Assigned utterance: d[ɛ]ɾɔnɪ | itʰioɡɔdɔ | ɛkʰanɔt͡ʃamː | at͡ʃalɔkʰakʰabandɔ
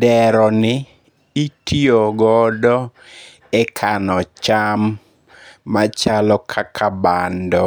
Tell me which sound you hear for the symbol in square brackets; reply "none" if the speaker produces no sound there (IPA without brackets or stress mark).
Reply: ɛ